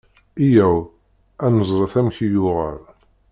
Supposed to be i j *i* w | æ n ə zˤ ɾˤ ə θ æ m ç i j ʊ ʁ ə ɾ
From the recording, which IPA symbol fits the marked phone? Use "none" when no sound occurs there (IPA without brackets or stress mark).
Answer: æ